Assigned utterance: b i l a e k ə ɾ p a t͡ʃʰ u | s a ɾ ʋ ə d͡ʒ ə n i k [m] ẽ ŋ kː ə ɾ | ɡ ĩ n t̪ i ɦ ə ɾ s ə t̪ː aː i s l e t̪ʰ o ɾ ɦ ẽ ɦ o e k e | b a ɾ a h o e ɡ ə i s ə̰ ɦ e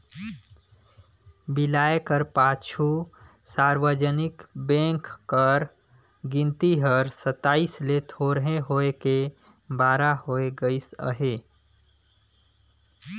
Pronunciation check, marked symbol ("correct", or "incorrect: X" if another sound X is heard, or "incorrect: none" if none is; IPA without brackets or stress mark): incorrect: b